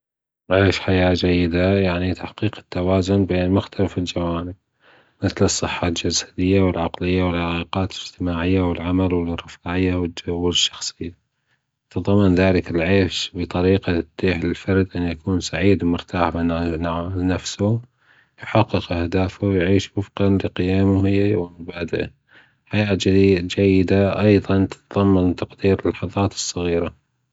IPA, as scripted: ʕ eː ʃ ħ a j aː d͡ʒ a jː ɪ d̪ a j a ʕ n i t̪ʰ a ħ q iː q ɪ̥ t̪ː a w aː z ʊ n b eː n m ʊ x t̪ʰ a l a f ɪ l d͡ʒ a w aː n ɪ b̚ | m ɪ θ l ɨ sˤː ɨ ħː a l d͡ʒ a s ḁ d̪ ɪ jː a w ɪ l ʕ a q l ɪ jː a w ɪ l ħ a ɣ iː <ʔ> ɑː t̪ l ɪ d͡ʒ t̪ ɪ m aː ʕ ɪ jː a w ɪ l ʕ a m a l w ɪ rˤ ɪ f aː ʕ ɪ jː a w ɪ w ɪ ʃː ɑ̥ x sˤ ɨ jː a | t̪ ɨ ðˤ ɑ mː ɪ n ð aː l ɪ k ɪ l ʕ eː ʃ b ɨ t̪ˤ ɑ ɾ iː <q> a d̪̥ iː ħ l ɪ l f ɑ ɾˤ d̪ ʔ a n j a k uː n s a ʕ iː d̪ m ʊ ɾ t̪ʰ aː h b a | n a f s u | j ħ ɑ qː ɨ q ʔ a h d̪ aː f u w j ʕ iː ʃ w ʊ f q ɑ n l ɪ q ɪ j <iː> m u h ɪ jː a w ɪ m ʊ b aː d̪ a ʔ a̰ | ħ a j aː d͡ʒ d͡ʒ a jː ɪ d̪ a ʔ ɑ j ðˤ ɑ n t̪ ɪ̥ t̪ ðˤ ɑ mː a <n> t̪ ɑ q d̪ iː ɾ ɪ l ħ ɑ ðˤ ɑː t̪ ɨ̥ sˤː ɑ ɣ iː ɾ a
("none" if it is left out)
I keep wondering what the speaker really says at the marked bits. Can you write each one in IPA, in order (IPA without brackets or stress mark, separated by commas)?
q, q, aː, n